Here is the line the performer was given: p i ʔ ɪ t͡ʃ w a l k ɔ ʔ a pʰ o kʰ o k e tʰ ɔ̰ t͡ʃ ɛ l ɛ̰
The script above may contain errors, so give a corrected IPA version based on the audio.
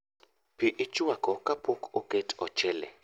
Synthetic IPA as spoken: p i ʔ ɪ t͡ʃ w a k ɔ k a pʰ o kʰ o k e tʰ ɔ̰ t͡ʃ ɛ l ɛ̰